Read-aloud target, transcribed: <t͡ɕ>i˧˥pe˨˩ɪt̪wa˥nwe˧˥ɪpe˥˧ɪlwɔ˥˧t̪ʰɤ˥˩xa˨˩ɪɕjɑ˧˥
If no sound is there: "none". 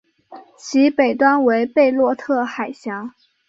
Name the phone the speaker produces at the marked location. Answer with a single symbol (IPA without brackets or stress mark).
t͡ɕʰ